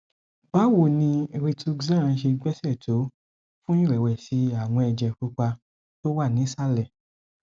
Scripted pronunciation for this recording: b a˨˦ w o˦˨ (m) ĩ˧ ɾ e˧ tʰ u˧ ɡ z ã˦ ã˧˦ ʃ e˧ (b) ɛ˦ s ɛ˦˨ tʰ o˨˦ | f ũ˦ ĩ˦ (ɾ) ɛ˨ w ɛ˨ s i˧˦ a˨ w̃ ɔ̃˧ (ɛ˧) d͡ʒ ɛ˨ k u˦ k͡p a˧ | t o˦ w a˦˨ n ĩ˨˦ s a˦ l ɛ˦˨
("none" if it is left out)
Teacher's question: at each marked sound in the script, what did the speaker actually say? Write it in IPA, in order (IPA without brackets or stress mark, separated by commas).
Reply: n, ɡ͡b, ɾ, ɛ˧